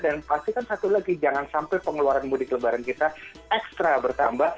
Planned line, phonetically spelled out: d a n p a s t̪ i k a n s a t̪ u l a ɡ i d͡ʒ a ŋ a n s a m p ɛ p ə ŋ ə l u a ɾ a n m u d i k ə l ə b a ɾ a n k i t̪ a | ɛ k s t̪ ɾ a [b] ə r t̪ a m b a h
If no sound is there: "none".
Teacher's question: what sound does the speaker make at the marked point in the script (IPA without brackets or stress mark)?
b